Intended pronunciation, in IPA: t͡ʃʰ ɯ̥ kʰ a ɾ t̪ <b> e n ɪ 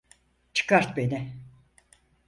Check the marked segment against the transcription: correct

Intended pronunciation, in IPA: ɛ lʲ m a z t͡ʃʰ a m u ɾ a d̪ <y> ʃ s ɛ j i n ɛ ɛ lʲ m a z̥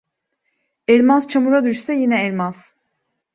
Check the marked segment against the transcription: correct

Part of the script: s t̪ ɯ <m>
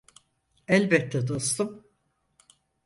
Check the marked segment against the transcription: correct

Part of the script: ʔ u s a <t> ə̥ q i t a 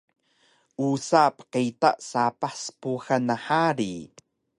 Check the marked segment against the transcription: incorrect: p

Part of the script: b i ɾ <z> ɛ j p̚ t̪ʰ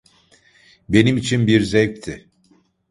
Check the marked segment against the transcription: correct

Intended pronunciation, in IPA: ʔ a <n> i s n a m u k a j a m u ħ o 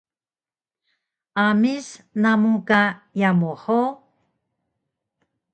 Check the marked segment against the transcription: incorrect: m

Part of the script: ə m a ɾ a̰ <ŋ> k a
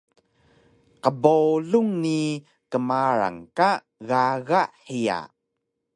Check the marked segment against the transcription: correct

